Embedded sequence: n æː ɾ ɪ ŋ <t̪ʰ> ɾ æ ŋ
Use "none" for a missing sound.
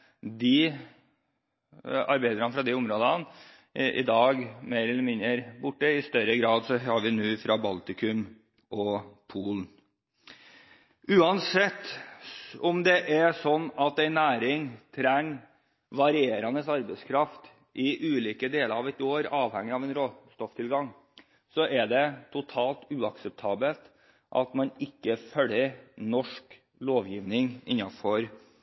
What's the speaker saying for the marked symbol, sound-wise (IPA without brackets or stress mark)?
t̪ʰ